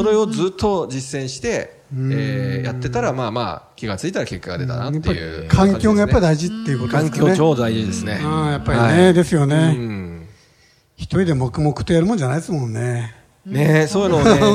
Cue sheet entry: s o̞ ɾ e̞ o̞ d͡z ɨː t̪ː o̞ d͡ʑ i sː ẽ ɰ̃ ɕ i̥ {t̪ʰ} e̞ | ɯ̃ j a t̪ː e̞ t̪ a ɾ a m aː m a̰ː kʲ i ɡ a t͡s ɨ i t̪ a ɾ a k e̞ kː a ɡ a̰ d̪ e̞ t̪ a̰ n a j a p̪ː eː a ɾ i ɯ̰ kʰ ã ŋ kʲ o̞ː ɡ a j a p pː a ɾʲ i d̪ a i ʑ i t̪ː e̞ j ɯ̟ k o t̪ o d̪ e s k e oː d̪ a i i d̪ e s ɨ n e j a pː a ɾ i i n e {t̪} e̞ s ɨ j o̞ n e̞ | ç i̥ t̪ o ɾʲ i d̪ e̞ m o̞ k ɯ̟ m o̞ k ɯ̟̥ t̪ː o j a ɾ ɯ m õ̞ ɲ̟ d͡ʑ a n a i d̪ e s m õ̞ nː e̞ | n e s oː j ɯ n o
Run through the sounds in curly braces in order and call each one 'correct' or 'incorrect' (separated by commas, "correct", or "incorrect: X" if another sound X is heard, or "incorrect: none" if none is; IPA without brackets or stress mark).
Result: incorrect: t̪, incorrect: d̪